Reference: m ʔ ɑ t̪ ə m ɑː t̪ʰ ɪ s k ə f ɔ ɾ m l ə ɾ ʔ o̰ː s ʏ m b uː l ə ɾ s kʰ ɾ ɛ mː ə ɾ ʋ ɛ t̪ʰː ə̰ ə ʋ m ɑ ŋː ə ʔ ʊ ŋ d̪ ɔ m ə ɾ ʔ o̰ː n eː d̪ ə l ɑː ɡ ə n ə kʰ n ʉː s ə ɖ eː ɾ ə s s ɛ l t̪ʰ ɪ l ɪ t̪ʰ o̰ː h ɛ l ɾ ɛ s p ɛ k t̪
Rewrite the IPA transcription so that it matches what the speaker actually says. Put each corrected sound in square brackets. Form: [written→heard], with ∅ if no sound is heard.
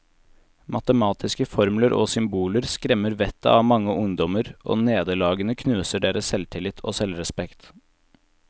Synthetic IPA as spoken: m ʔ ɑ t̪ ə m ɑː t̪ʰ ɪ s k ə f ɔ ɾ m l ə ɾ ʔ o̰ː s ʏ m b uː l ə ɾ s [kʰ→k] ɾ ɛ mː ə ɾ ʋ ɛ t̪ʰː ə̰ [ə→ɑ] ʋ m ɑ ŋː ə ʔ ʊ ŋ d̪ ɔ m ə ɾ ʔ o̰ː n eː d̪ ə l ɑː ɡ ə n ə kʰ n ʉː s ə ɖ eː ɾ ə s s ɛ l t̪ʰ ɪ l ɪ t̪ʰ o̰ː [h→s] ɛ l ɾ ɛ s p ɛ k t̪